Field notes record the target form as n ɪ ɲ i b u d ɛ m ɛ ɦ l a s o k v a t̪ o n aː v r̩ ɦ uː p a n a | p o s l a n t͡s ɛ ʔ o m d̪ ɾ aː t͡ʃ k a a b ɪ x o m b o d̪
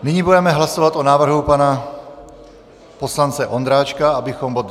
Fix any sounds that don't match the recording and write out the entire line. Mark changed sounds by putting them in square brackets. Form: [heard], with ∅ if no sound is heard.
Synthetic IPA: n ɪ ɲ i b u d ɛ m ɛ ɦ l a s o [∅] v a t̪ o n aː v r̩ ɦ [u] p a n a | p o s l a n t͡s ɛ ʔ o [n] d̪ ɾ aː t͡ʃ k a a b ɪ x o m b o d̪